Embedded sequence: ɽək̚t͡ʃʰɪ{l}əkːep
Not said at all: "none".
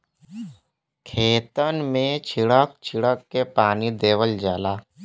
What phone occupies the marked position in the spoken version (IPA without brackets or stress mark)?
ɽ